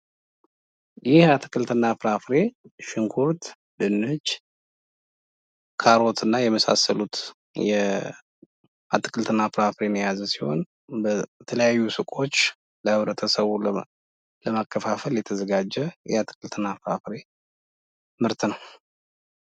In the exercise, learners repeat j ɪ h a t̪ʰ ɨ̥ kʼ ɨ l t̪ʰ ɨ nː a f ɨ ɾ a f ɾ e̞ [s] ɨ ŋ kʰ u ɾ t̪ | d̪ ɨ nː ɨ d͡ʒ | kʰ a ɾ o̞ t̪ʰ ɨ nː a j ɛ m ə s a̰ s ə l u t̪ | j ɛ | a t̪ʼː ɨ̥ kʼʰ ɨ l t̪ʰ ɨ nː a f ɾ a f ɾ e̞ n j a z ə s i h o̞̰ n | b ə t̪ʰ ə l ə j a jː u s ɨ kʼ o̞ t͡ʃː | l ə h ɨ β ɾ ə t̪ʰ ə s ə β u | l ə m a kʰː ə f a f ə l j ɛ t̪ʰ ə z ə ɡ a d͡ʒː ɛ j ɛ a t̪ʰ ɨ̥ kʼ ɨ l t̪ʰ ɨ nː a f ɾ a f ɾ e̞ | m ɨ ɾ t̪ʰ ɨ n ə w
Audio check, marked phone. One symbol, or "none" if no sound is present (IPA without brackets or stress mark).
ʃ